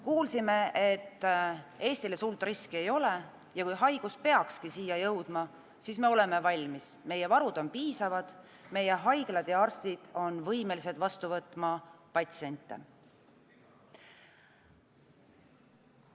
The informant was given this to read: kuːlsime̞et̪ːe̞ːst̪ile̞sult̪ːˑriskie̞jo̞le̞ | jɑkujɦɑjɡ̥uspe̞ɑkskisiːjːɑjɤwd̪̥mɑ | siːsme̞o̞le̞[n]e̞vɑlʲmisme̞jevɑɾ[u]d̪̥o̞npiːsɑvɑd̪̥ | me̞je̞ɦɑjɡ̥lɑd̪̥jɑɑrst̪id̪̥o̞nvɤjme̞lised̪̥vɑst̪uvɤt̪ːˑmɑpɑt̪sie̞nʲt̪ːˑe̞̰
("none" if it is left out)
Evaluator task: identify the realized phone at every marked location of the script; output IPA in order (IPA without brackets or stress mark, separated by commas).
m, u